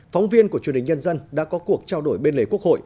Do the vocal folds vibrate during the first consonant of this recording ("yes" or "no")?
no